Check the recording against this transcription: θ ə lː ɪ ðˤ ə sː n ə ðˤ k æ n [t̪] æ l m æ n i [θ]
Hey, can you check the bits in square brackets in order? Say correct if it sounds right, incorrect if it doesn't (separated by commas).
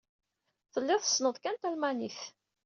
correct, correct